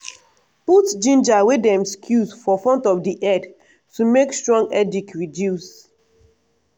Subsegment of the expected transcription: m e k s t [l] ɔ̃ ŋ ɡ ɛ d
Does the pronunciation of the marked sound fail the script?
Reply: yes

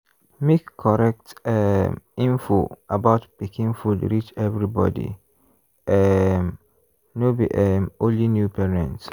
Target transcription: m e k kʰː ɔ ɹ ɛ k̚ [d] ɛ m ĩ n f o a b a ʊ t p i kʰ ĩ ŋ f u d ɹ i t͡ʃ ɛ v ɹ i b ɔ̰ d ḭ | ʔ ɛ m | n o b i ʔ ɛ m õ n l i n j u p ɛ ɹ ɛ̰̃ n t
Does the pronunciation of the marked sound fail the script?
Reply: yes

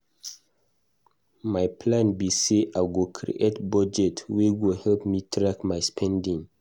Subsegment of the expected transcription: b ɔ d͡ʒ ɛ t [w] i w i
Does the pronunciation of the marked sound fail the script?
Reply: no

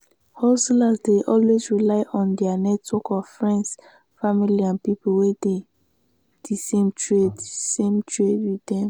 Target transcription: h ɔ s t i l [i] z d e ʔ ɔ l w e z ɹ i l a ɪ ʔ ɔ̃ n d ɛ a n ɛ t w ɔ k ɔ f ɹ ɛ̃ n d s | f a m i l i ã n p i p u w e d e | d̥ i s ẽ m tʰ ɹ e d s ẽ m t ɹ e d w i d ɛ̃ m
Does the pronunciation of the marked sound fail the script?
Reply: yes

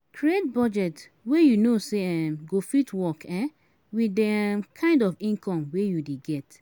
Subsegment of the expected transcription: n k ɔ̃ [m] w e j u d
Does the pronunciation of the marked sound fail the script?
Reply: no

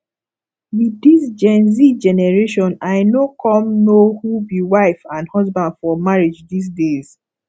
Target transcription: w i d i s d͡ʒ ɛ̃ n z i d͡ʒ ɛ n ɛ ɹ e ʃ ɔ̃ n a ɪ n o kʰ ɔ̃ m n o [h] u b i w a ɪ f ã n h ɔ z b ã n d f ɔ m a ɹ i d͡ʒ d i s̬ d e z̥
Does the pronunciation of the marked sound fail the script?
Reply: no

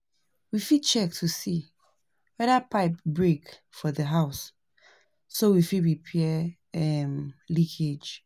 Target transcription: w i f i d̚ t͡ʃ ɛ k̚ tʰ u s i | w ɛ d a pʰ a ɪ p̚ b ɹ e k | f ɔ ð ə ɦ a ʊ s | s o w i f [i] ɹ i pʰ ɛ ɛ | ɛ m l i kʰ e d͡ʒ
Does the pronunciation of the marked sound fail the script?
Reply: no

